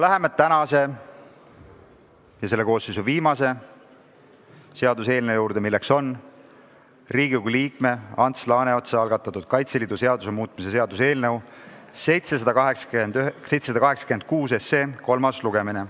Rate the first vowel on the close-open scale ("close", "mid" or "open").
open